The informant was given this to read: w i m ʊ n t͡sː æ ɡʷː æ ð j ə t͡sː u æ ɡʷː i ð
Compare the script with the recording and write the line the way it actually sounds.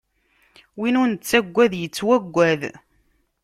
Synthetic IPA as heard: w i n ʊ n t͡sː æ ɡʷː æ ð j ə t͡sː w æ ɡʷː æ ð

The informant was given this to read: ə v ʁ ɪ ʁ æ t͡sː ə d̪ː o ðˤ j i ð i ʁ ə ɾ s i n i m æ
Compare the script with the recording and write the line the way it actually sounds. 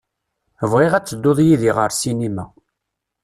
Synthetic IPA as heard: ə v ʁ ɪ ʁ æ t͡sː ə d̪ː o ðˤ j i ð i ʁ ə ɾ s i n i m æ

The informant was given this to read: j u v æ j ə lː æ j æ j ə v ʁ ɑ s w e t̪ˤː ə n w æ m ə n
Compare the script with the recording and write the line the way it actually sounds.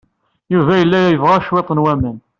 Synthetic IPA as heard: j u v æ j ə lː æ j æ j ə v ʁ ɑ ʃ w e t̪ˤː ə n w æ m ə n

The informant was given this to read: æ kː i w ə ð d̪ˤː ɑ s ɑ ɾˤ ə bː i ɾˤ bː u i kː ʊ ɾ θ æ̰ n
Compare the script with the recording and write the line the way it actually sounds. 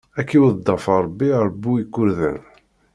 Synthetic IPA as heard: æ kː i w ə ð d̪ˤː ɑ f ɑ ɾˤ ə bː i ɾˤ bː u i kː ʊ ɾ ð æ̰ n

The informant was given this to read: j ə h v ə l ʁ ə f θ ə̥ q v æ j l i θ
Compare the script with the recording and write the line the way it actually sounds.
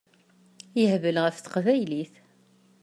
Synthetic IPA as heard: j ə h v ə l ʁ ə f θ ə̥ q v æ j l i θ

